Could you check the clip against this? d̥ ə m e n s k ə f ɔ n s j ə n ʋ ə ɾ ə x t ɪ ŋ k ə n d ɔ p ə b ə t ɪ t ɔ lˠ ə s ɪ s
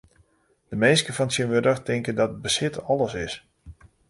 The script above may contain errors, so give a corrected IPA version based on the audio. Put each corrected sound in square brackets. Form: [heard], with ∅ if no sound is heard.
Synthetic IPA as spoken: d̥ ə m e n s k ə f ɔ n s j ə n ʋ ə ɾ ə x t ɪ ŋ k ə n d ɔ [t] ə b ə [s] ɪ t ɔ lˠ ə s ɪ s